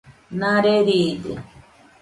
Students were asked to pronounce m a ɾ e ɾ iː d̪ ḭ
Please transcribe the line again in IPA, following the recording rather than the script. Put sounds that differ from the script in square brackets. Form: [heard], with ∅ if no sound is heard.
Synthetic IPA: [n] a ɾ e ɾ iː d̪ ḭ